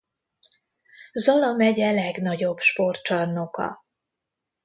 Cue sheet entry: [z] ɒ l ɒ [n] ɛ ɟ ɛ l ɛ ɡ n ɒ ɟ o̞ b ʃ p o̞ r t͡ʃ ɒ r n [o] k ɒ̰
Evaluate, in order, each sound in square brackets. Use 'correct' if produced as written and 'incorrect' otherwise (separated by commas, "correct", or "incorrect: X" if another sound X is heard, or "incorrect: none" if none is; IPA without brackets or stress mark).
correct, incorrect: m, correct